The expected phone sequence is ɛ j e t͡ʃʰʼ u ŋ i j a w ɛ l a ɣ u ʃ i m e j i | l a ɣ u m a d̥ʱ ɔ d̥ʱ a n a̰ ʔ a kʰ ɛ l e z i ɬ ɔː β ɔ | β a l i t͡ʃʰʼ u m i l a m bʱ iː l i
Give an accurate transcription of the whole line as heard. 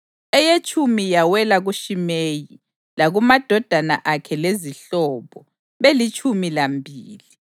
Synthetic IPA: ɛ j e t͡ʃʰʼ u m i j a w ɛ l a ɣ u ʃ i m e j i | l a ɣ u m a d̥ʱ ɔ d̥ʱ a n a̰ ʔ a kʰ ɛ l e z i ɬ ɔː β ɔ | β e l i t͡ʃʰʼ u m i l a m bʱ iː l i